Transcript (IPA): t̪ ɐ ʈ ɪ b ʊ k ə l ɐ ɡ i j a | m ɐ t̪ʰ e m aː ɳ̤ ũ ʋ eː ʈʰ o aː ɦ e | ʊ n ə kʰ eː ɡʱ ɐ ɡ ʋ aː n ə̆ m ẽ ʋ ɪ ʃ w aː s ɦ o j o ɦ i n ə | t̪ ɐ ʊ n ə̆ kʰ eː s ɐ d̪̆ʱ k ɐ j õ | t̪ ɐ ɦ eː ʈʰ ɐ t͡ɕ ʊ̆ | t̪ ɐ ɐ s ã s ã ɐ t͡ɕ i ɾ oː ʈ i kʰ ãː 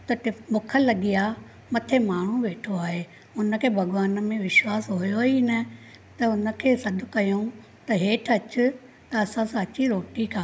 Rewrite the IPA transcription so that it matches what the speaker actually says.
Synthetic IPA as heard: t̪ ɐ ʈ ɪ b ʊ kʰ ə l ɐ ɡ i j a | m ɐ t̪ʰ e m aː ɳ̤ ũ ʋ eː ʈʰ o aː ɦ e | ʊ n ə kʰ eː bʱ ɐ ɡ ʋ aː n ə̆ m ẽ ʋ ɪ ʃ w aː s ɦ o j o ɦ i n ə | t̪ ɐ ʊ n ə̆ kʰ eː s ɐ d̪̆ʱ k ɐ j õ | t̪ ɐ ɦ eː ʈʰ ɐ t͡ɕ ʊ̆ | t̪ ɐ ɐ s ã s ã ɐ t͡ɕ i ɾ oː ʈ i kʰ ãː